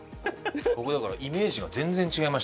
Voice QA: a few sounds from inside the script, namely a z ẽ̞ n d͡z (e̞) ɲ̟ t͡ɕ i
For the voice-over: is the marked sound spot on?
no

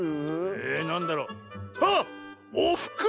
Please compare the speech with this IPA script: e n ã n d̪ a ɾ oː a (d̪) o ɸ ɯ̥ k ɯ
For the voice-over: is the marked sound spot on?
no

